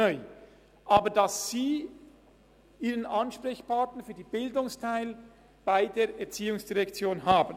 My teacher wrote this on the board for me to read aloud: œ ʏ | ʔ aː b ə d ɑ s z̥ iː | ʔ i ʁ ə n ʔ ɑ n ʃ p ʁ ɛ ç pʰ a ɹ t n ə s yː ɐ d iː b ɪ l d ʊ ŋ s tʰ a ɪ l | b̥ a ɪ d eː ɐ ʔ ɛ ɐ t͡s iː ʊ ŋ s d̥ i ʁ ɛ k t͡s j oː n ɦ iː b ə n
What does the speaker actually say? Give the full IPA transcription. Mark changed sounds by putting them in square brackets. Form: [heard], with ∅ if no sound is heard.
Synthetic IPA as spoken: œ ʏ | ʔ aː b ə d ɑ s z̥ iː | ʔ [iː] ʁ ə n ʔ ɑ n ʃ p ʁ ɛ ç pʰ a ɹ t n ə [f] yː ɐ d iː b ɪ l d ʊ ŋ s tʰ a ɪ l | b̥ a ɪ d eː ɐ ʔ ɛ ɐ t͡s iː ʊ ŋ s d̥ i ʁ ɛ k t͡s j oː n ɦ [aː] b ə n